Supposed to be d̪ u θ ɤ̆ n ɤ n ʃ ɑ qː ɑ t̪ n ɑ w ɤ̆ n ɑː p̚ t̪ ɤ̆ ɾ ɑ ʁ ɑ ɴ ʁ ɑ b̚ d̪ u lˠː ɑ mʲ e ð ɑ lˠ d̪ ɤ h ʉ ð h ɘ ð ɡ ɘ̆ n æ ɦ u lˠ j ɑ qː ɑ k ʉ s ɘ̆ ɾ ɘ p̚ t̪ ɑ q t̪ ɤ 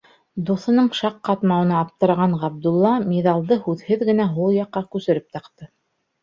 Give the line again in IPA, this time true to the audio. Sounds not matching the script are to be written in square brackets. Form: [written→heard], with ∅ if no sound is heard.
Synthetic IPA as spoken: d̪ u θ ɤ̆ n ɤ [n→ɴ] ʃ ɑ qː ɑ t̪ [n→m] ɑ w ɤ̆ n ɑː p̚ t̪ ɤ̆ ɾ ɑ ʁ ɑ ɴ ʁ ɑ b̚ d̪ u lˠː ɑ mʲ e ð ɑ lˠ d̪ ɤ h ʉ ð h ɘ ð ɡ ɘ̆ n æ ɦ u lˠ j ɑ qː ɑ k ʉ s ɘ̆ ɾ ɘ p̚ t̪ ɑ q t̪ ɤ